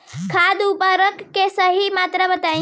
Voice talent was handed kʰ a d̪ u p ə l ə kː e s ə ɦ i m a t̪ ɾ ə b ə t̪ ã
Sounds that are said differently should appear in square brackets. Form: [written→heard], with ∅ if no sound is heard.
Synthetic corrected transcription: kʰ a d̪ u p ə [l→ɾ] ə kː e s ə ɦ i m a t̪ ɾ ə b ə t̪ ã